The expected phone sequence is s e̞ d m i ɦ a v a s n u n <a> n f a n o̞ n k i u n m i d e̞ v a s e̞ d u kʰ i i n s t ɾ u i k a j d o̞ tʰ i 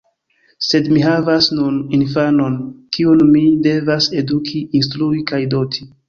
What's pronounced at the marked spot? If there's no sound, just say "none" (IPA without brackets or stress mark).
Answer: i